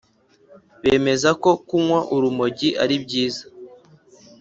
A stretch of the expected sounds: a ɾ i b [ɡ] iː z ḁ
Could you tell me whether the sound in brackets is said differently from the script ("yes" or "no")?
yes